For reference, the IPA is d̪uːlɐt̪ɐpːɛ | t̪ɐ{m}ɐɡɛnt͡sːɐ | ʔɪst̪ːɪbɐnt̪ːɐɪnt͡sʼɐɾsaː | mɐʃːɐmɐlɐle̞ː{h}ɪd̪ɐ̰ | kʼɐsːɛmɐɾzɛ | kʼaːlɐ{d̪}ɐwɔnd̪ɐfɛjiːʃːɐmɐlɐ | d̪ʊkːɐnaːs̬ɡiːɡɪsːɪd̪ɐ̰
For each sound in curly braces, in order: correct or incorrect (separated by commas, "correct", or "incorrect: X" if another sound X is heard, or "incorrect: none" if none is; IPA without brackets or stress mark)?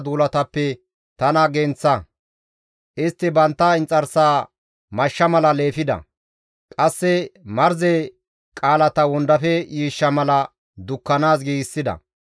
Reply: incorrect: n, incorrect: f, incorrect: t̪